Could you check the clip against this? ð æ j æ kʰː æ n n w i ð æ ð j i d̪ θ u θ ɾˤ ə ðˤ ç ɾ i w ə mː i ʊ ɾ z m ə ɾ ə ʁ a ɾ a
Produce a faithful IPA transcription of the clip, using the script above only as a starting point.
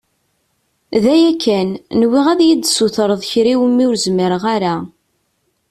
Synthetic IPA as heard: ð æ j æ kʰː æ n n w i ʁ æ ð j i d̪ s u θ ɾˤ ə ðˤ ç ɾ i w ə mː i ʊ ɾ z m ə ɾ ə ʁ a ɾ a